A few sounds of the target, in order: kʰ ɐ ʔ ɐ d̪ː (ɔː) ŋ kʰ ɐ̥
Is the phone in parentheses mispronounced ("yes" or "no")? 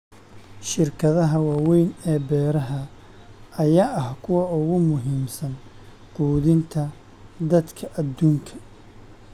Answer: yes